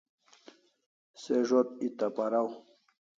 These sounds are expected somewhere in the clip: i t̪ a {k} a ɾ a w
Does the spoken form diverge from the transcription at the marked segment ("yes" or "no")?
yes